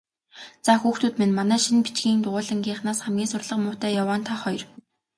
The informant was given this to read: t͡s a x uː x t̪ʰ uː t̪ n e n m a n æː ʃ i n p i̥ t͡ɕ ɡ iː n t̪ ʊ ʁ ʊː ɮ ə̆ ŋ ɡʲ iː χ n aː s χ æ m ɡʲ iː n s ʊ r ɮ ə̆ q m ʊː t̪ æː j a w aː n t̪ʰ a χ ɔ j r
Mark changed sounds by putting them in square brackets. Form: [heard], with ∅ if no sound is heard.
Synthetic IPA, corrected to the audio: t͡s a x uː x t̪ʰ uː t̪ [m] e n m a n æː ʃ i n p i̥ t͡ɕ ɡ iː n t̪ ʊ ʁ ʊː ɮ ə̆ ŋ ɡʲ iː χ n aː s χ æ m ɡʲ iː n s ʊ r ɮ ə̆ q m ʊː t̪ æː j a w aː n t̪ʰ a χ ɔ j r